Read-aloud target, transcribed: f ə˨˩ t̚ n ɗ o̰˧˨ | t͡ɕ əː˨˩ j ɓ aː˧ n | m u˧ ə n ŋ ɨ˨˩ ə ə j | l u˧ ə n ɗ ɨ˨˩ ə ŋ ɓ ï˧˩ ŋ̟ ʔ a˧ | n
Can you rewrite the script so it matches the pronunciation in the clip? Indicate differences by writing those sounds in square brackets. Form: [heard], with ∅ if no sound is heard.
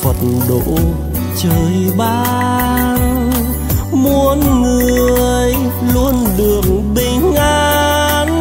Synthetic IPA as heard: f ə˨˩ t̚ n ɗ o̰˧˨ | t͡ɕ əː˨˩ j ɓ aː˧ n | m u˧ ə n ŋ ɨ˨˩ ə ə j | l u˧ ə n ɗ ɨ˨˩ ə ŋ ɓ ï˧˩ ŋ̟ ʔ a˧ | n